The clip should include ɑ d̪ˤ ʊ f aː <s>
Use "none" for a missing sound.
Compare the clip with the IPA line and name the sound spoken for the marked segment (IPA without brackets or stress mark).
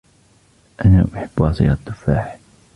ħ